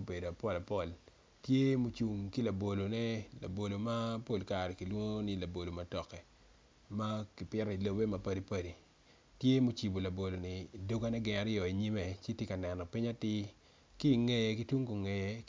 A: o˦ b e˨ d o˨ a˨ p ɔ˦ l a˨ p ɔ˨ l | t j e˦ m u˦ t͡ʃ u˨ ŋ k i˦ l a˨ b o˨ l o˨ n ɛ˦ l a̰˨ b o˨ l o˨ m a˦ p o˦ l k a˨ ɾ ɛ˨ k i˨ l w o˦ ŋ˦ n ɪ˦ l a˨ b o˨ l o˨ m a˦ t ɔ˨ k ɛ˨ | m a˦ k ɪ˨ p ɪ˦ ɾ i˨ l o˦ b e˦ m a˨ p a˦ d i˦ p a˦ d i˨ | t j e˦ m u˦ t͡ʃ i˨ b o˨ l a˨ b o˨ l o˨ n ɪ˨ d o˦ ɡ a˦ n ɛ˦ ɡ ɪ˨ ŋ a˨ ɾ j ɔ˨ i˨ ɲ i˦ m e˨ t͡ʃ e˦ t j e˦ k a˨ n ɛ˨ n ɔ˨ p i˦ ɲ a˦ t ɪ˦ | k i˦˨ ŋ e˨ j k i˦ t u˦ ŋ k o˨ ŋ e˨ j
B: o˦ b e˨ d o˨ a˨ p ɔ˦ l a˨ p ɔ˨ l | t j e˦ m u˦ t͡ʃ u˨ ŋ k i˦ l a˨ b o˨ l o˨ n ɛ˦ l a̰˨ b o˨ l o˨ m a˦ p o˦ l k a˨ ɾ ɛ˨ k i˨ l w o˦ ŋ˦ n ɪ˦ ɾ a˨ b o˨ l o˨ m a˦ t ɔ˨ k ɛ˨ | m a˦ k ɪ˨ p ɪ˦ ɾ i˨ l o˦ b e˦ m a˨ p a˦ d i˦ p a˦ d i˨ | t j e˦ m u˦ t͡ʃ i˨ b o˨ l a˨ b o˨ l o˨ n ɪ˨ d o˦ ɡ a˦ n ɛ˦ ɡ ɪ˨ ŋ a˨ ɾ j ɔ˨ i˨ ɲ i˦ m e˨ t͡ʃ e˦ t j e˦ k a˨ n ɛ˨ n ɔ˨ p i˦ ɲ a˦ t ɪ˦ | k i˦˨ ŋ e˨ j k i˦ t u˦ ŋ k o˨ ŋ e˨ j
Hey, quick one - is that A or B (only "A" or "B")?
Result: A